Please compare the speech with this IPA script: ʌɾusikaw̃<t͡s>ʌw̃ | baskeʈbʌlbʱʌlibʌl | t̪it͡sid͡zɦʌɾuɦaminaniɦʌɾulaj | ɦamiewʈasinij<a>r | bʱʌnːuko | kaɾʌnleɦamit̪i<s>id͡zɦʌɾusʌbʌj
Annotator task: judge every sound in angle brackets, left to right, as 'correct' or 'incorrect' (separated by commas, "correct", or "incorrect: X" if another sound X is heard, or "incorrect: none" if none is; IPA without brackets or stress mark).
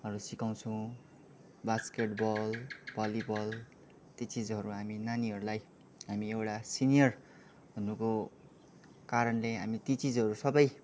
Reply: incorrect: t͡sʰ, incorrect: ʌ, incorrect: t͡s